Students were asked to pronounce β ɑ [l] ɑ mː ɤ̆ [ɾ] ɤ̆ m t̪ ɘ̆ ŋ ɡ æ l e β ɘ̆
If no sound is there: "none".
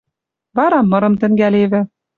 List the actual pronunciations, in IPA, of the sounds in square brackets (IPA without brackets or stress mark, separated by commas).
ɾ, ɾ